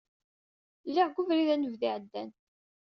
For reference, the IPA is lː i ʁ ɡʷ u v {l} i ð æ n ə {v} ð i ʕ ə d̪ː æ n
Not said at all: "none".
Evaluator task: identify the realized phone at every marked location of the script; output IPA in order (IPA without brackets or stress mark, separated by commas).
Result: ɾ, v